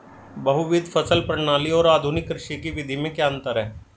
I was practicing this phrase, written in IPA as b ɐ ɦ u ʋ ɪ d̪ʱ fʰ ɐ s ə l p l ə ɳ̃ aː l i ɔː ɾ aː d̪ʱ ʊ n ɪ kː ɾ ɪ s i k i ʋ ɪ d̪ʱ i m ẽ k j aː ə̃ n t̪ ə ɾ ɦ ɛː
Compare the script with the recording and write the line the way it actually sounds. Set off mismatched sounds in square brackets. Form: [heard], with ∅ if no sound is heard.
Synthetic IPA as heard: b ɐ ɦ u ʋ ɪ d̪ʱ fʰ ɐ s ə l p [ɾ] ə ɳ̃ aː l i ɔː ɾ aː d̪ʱ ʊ n ɪ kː ɾ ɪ [ʃ] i k i ʋ ɪ d̪ʱ i m ẽ k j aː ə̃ n t̪ ə ɾ ɦ ɛː